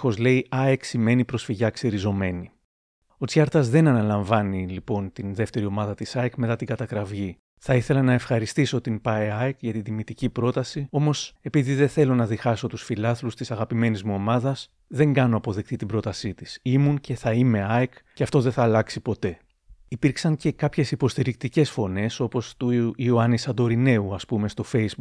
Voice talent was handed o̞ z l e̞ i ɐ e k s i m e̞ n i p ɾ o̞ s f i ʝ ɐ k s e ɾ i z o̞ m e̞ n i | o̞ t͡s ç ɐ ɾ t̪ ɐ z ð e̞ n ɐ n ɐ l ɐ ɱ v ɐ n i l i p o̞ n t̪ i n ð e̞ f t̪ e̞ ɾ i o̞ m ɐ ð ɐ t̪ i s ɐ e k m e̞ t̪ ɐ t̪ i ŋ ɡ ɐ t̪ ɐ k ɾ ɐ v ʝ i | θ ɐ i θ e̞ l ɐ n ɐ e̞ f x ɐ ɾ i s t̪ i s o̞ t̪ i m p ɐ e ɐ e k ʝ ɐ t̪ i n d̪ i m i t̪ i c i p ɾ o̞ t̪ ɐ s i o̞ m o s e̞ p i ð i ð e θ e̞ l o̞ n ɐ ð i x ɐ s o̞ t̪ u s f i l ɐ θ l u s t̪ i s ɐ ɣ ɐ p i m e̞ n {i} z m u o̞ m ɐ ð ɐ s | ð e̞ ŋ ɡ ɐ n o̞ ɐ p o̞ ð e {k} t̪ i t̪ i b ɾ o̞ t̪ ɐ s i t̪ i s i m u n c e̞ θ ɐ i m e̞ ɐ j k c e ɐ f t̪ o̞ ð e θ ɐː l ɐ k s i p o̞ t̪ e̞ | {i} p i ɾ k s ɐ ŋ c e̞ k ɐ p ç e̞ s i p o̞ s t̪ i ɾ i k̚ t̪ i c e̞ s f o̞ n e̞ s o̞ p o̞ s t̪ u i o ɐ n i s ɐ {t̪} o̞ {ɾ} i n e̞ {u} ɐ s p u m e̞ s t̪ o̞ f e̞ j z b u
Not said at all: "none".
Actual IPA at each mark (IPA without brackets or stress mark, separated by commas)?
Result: i, k, i, d̪, ɾ, u